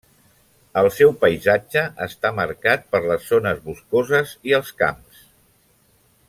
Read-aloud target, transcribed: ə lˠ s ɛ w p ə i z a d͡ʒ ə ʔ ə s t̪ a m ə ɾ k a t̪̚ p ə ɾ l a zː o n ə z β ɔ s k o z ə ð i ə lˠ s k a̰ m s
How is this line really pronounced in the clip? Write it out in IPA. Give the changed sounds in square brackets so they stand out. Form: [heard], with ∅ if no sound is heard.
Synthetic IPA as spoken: ə lˠ s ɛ w p ə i z a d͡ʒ ə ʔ ə s t̪ a m ə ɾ k a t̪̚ p ə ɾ l [ə] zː o n ə z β [u] s k o z ə [z] i ə lˠ s k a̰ m s